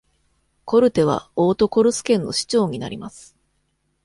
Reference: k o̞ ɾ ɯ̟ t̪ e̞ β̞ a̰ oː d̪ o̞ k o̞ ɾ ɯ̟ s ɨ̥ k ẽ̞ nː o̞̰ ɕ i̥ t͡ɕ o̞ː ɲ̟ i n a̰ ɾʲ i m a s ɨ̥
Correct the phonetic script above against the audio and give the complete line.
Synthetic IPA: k o̞ ɾ ɯ̟ t̪ e̞ β̞ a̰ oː t̪ o̞ k o̞ ɾ ɯ̟ s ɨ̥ k ẽ̞ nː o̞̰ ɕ i̥ t͡ɕ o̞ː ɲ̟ i n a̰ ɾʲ i m a s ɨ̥